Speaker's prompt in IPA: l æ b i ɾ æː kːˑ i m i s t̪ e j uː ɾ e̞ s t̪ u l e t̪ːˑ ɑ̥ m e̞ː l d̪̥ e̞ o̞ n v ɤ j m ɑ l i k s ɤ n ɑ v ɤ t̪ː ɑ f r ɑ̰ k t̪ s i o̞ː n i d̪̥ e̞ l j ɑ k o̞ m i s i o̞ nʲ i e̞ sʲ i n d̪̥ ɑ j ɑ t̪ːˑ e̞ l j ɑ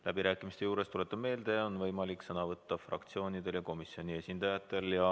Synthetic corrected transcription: l æ b i ɾ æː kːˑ i m i s t̪ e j uː ɾ e̞ s t̪ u l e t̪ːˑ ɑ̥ m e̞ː l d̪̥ e̞ o̞ n v ɤ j m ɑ l i k s ɤ n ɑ v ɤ t̪ː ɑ f r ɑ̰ k t̪ s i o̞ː n i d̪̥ e̞ l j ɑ k o̞ m i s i o̞ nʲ i e̞ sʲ i n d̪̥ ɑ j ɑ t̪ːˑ e̞ l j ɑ

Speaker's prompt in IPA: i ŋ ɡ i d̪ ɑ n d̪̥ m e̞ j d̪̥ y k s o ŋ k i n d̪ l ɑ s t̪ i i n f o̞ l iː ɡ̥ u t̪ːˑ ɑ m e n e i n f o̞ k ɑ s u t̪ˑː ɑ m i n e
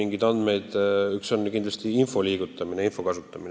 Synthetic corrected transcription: i ŋ ɡ i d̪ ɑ n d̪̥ m e̞ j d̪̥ y k s o n k i n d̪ l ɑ s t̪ i i n f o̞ l iː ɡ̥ u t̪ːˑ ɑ m i n e i n f o̞ k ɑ s u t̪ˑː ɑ m i n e

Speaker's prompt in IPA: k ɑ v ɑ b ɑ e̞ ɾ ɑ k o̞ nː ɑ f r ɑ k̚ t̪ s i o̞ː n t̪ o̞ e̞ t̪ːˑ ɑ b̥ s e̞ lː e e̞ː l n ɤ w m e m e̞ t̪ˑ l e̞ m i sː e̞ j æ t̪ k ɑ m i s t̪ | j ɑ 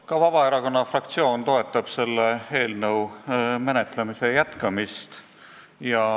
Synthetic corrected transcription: k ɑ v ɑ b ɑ e̞ ɾ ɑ k o̞ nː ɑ f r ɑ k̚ t̪ s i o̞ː n t̪ o̞ e̞ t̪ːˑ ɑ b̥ s e̞ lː e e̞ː l n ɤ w m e n e̞ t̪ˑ l e̞ m i s e̞ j æ t̪ k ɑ m i s t̪ | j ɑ

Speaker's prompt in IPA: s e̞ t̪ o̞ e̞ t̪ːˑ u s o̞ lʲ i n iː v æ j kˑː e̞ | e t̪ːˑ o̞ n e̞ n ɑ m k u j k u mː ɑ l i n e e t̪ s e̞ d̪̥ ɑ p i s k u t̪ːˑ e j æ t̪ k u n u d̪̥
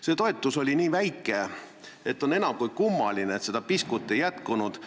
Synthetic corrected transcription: s e̞ t̪ o̞ e̞ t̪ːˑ u s o̞ lʲ i n iː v æ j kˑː e̞ | e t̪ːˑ o̞ n e̞ n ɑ m k u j k u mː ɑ l i n e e t̪ s e̞ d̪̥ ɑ p i s k u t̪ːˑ e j æ t̪ k u n u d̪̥

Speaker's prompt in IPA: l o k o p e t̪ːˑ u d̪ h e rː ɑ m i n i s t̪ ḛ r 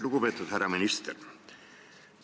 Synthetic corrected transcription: l u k u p e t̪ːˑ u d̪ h æ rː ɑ m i n i s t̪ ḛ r

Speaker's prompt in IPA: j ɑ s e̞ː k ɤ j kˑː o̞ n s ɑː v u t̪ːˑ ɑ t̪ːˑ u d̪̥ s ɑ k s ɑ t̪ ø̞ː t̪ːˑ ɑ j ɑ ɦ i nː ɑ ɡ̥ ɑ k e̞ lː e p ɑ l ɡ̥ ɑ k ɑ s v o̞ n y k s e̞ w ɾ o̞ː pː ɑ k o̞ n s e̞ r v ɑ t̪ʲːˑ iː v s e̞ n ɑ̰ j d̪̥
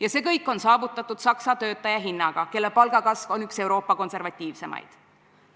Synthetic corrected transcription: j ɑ s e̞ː k ɤ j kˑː o̞ n s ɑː v u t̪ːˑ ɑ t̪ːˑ u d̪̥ s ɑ k s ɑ t̪ ø̞ː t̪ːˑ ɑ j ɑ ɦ i nː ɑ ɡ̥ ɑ k e̞ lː e p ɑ l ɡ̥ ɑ k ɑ s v o̞ n y k s e̞ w ɾ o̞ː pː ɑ k o̞ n s e̞ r v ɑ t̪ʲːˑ iː v s e̞ m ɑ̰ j d̪̥

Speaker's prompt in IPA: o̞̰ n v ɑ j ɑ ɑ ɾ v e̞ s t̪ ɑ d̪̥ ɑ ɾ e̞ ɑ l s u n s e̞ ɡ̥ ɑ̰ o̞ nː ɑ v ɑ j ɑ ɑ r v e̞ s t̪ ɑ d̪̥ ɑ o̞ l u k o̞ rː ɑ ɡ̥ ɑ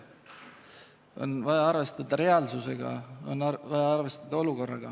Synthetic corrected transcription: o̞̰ n v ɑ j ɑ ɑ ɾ v e̞ s t̪ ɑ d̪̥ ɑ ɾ e̞ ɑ l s u s e̞ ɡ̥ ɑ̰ o̞ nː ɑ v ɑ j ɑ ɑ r v e̞ s t̪ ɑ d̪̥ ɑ o̞ l u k o̞ rː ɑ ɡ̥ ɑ

